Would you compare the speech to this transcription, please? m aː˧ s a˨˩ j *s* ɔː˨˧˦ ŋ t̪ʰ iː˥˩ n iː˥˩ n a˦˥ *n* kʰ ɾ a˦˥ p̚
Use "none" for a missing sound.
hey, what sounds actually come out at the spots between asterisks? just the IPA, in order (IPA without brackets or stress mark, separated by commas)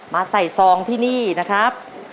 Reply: s, none